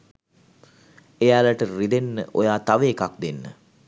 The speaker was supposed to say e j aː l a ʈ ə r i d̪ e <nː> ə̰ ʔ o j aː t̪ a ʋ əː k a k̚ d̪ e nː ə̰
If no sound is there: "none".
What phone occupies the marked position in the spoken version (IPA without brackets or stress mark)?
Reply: nː